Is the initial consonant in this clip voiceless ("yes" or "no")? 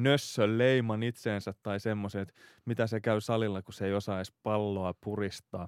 no